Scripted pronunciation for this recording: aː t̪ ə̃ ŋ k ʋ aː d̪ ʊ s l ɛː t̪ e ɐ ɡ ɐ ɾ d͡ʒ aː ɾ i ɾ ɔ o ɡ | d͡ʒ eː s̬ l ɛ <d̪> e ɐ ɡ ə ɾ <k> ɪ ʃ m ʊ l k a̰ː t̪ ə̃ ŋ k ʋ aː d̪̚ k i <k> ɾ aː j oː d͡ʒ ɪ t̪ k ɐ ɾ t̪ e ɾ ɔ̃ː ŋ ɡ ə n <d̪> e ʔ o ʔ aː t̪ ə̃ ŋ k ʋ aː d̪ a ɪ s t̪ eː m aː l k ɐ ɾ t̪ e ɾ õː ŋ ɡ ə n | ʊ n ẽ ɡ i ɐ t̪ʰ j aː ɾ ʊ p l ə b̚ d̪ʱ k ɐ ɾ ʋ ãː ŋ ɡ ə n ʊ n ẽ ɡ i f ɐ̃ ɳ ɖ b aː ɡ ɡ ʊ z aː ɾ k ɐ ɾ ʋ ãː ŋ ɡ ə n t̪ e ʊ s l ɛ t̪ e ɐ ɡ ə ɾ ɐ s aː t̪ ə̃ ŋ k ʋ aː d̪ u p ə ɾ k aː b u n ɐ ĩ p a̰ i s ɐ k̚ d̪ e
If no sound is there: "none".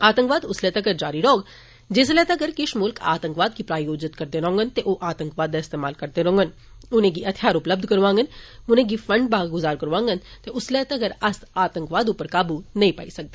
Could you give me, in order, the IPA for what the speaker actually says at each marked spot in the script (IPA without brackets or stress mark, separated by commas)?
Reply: t̪, k, p, t̪